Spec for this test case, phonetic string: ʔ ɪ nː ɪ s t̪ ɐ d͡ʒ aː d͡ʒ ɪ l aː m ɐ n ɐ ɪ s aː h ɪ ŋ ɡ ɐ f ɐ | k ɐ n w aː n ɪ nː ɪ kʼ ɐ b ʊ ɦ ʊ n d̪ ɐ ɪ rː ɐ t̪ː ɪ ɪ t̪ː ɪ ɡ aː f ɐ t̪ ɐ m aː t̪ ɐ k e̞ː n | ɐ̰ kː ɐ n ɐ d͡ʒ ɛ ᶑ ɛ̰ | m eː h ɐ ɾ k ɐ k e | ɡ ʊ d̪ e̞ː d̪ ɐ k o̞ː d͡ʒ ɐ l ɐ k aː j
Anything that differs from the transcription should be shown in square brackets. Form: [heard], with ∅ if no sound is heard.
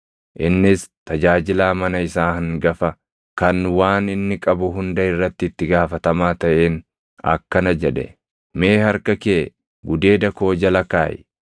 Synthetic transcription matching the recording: ʔ ɪ nː ɪ s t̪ ɐ d͡ʒ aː d͡ʒ ɪ l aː m ɐ n ɐ ɪ s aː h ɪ ŋ ɡ ɐ f ɐ | k ɐ n w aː n ɪ nː ɪ kʼ ɐ b ʊ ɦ ʊ n d̪ ɐ ɪ rː ɐ t̪ː ɪ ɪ t̪ː ɪ ɡ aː f ɐ t̪ ɐ m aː t̪ ɐ [ʔ] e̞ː n | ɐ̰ kː ɐ n ɐ d͡ʒ ɛ ᶑ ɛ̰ | m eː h ɐ ɾ k ɐ k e | ɡ ʊ d̪ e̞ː d̪ ɐ k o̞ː d͡ʒ ɐ l ɐ k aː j